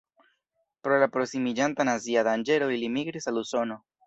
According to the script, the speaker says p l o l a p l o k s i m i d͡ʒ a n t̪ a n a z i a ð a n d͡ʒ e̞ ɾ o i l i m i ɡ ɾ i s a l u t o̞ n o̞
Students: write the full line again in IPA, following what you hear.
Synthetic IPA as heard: p ɾ o l a p ɾ o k s i m i d͡ʒ a n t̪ a n a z i a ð a n d͡ʒ e̞ ɾ o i l i m i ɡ ɾ i s a l u s o̞ n o̞